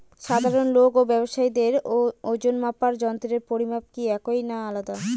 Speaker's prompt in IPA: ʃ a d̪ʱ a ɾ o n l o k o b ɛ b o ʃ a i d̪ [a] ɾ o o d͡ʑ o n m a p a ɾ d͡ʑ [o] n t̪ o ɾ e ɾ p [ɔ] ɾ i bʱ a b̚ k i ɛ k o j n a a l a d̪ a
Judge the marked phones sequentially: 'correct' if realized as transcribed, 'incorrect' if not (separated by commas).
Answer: incorrect, incorrect, incorrect